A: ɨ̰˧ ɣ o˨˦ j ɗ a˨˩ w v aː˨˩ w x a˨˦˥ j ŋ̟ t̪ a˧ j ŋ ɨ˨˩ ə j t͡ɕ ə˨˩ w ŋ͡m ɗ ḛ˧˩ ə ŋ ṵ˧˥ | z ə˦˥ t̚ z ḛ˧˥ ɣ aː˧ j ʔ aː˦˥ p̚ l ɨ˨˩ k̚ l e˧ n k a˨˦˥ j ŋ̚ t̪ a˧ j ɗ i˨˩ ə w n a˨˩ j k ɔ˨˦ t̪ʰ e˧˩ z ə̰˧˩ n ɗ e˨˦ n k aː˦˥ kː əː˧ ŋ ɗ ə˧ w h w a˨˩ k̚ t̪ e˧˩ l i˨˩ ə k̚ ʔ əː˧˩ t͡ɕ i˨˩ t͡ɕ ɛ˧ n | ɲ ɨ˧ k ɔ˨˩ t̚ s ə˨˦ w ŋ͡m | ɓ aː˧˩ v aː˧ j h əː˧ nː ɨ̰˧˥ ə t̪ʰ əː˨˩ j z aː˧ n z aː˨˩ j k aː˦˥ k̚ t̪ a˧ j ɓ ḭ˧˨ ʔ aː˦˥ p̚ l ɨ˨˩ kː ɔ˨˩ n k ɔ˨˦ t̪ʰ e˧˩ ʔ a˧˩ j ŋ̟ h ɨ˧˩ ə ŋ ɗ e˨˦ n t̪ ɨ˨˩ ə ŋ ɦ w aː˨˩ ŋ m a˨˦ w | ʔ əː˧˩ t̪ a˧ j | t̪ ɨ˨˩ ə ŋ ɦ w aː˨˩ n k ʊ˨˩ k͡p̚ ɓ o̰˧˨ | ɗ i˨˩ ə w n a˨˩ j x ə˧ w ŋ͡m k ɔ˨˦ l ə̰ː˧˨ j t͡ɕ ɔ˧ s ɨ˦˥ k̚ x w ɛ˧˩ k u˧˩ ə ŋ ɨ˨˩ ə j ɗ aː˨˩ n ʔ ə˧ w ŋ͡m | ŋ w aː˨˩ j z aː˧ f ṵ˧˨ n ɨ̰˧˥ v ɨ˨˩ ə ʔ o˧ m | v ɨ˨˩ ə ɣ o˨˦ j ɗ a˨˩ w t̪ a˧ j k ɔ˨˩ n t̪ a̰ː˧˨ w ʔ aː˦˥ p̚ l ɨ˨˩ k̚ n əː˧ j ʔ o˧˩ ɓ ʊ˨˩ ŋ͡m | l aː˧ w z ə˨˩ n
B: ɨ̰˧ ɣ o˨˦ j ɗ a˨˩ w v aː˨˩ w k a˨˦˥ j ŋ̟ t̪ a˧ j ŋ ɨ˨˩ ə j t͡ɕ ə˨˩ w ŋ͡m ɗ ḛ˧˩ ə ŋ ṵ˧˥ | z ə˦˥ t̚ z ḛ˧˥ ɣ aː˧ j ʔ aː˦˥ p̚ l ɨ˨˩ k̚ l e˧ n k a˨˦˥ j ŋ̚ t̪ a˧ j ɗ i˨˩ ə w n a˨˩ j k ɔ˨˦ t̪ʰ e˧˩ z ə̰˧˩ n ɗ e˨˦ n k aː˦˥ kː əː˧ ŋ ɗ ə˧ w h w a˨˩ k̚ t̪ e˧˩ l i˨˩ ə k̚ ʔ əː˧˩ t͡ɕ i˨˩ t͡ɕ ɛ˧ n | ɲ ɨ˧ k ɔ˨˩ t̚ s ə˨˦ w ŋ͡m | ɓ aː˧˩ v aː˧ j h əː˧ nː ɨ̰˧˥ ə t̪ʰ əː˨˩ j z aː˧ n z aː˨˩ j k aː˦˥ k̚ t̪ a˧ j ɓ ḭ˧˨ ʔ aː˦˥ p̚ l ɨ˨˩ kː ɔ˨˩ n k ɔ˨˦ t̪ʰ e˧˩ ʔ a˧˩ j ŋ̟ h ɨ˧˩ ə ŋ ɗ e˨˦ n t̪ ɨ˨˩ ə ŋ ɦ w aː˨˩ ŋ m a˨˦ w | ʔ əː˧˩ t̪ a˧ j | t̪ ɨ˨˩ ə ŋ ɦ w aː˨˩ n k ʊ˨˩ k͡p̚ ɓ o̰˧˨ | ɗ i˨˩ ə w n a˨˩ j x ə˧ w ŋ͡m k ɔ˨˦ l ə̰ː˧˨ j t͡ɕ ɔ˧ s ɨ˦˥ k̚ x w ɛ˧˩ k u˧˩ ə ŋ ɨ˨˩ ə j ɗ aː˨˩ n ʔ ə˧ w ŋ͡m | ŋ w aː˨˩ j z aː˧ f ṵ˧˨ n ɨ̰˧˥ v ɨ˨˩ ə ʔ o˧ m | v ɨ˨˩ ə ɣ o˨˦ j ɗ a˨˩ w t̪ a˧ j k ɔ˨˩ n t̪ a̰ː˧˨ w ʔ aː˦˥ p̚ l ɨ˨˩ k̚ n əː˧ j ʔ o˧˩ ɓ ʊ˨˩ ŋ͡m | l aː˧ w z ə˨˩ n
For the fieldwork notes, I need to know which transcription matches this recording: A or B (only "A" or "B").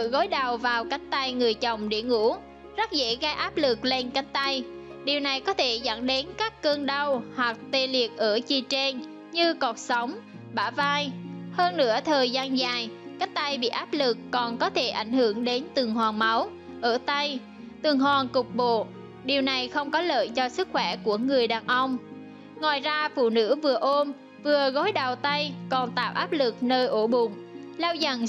B